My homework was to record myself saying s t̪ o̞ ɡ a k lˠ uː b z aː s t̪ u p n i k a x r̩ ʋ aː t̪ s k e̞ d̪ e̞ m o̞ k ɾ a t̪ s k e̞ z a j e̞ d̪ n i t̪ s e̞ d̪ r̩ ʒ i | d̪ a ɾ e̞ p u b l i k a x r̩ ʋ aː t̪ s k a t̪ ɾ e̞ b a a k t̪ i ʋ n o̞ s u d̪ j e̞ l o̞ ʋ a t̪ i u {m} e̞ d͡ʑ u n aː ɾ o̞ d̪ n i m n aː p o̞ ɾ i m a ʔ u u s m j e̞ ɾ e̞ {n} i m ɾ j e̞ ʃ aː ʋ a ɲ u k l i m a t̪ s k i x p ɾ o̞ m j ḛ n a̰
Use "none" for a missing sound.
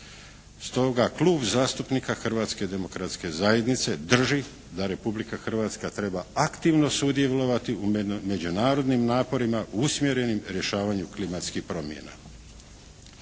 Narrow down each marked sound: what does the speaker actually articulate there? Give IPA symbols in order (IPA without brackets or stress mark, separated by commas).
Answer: m, n